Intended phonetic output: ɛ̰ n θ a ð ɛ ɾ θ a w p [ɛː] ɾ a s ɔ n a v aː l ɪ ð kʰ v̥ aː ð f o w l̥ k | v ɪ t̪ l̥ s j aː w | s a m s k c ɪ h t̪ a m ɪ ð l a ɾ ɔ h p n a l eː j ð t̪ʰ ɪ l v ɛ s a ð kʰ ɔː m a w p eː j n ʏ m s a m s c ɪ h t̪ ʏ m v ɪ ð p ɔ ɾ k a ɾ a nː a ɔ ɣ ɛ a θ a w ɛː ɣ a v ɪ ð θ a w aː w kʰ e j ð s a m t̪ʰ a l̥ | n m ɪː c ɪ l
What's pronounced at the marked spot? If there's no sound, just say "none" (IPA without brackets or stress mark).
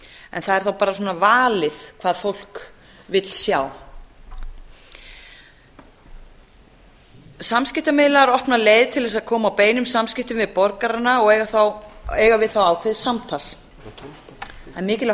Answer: aː